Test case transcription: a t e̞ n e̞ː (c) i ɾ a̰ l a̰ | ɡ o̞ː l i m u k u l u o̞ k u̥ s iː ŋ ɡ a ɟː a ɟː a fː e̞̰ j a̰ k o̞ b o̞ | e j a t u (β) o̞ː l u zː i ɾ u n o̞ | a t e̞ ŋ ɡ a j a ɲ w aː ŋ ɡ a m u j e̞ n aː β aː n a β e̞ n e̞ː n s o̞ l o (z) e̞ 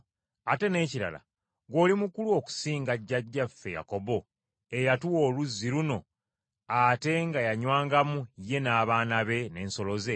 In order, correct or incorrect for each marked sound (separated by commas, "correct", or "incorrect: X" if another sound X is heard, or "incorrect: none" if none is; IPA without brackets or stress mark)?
correct, incorrect: w, correct